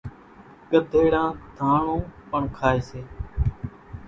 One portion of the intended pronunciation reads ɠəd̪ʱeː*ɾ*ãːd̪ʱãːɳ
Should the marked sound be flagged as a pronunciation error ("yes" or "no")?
yes